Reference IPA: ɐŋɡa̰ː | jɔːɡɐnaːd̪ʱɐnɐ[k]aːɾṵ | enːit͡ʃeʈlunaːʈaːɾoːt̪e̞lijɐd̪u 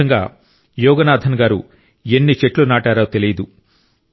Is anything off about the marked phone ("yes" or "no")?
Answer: yes